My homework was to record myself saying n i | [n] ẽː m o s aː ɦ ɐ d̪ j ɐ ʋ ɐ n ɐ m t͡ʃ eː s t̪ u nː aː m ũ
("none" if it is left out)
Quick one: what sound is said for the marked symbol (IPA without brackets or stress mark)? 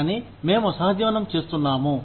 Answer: m